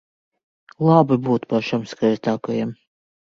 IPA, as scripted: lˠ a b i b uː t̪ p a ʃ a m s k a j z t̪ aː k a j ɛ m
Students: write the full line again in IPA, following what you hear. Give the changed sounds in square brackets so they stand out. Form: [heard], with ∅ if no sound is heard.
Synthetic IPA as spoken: lˠ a b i b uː t̪ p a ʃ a m s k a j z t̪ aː k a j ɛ m